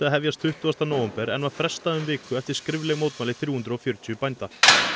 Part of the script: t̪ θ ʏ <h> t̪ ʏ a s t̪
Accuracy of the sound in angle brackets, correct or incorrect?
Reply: correct